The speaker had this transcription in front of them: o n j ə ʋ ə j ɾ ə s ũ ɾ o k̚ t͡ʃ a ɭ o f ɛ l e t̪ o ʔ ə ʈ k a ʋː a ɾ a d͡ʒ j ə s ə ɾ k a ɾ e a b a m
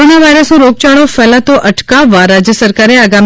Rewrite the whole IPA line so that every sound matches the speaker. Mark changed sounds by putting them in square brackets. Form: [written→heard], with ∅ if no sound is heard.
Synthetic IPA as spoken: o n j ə ʋ [ə→a] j ɾ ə s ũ ɾ o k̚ t͡ʃ a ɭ o f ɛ l [e→a] t̪ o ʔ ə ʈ k a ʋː a ɾ a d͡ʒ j ə s ə ɾ k a ɾ e a [b→ɡ] a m